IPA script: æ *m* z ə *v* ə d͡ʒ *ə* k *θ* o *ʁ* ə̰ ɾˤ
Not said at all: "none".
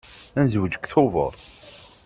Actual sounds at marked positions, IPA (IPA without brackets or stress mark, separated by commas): n, w, ə, θ, v